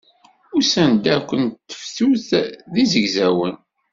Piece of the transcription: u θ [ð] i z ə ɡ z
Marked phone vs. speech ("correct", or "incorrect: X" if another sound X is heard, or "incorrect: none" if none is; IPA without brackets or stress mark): correct